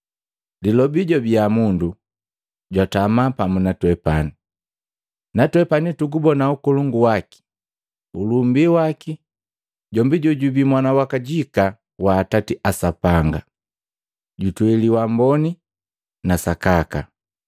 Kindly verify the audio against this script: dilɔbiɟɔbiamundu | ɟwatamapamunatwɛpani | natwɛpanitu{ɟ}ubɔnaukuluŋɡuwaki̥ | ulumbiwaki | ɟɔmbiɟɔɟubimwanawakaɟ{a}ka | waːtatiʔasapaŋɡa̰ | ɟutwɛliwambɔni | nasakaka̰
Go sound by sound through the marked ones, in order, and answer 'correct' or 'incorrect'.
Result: incorrect: ɡ, incorrect: i

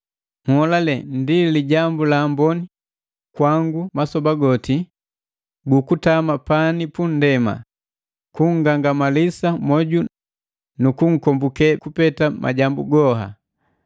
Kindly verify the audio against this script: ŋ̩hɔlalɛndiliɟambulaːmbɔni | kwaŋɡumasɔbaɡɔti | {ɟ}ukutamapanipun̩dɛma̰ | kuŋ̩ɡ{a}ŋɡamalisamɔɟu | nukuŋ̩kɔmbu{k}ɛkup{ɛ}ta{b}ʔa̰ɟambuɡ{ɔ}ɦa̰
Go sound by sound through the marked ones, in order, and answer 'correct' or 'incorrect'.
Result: incorrect: ɡ, correct, correct, correct, incorrect: m, correct

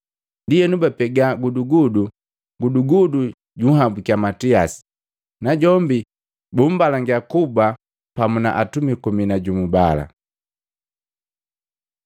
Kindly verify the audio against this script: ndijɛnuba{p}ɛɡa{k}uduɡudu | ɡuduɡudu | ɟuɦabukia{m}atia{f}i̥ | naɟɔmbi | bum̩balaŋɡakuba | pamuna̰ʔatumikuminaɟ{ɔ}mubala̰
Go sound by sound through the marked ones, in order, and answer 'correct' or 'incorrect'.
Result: correct, incorrect: ɡ, correct, incorrect: s, incorrect: u

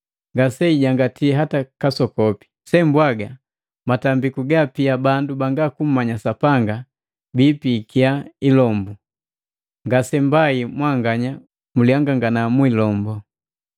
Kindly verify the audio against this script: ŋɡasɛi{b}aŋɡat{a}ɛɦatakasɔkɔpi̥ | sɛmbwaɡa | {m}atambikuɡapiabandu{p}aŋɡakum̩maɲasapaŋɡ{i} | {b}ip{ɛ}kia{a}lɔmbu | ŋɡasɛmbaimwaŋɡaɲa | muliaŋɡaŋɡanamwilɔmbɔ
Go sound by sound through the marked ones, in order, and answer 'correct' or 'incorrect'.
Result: incorrect: ɟ, incorrect: i, correct, incorrect: b, incorrect: a, correct, incorrect: i, incorrect: i

